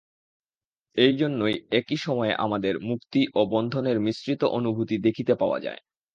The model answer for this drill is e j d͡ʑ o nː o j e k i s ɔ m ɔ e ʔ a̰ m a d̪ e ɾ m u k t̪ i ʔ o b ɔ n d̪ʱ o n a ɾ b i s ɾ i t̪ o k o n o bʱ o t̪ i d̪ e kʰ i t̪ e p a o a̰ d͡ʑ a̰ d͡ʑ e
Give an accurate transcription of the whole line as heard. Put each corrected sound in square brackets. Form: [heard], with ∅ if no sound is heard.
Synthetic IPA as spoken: e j d͡ʑ o nː o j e k i [ʃ] ɔ m ɔ e ʔ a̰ m a d̪ e ɾ m u k t̪ i ʔ o b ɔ n d̪ʱ o n [e] ɾ [m] i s ɾ i t̪ o [ʔ] o n [u] bʱ [u] t̪ i d̪ e kʰ i t̪ e p a o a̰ d͡ʑ a̰ [∅] e